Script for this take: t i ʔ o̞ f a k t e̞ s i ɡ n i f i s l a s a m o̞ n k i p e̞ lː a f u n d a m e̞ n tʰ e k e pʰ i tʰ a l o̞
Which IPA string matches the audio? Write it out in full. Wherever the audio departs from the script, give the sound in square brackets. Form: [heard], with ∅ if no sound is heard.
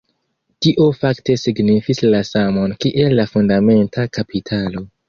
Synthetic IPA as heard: t i ʔ o̞ f a k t e̞ s i ɡ n i f i s l a s a m o̞ n k i [ʔ] e̞ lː a f u n d a m e̞ n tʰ [a] k [a] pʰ i tʰ a l o̞